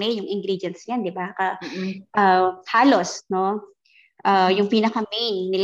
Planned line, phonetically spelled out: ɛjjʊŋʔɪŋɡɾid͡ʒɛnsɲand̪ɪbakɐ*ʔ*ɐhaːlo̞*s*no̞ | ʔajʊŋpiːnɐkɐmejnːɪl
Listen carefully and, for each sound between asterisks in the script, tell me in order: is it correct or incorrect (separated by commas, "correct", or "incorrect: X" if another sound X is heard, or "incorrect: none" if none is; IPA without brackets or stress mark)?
correct, correct